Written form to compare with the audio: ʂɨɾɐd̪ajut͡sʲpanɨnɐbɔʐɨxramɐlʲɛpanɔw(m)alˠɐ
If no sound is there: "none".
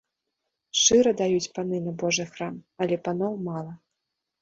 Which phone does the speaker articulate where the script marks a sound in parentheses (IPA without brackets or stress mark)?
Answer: m